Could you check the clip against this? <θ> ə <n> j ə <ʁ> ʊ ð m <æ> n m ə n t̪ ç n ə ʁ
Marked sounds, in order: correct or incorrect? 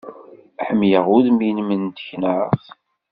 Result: incorrect: ħ, incorrect: m, correct, incorrect: i

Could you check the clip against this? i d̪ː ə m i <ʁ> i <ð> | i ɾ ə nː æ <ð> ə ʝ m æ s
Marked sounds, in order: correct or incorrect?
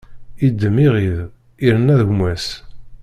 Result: correct, correct, correct

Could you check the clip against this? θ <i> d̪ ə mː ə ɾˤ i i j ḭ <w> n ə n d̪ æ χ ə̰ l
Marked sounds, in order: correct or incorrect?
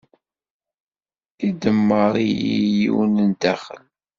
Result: correct, correct

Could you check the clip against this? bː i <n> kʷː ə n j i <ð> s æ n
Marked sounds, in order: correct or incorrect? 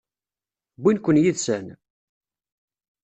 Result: correct, correct

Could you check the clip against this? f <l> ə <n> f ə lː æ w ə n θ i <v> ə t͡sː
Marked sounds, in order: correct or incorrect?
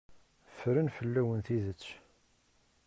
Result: incorrect: ɾ, correct, incorrect: ð

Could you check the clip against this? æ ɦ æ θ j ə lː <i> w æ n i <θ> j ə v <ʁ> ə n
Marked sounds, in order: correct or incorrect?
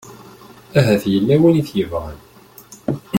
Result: incorrect: æ, correct, correct

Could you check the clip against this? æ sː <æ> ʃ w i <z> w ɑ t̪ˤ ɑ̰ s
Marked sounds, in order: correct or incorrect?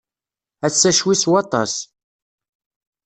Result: correct, incorrect: s

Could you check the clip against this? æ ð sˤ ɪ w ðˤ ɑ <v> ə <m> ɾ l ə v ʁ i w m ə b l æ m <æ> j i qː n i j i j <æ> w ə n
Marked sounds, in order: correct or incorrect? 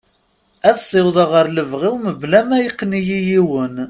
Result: incorrect: ʁ, incorrect: none, correct, incorrect: i

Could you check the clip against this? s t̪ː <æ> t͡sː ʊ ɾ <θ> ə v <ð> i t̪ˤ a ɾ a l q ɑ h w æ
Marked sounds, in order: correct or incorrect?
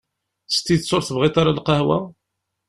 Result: incorrect: i, correct, incorrect: ʁ

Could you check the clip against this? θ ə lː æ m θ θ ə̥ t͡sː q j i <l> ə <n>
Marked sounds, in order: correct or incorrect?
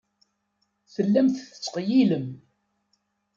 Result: correct, incorrect: m

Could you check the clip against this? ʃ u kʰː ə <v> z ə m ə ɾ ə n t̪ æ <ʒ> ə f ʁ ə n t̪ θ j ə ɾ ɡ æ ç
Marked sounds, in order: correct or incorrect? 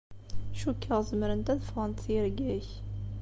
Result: incorrect: ʁ, incorrect: ð

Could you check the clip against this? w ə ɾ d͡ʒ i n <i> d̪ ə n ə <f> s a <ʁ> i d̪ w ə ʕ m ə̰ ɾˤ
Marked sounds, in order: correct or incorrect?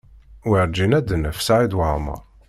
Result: incorrect: æ, correct, incorrect: ʕ

